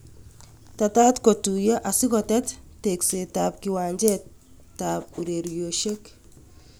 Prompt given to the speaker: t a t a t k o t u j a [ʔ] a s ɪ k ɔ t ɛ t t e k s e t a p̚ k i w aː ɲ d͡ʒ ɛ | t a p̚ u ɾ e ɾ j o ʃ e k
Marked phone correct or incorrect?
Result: correct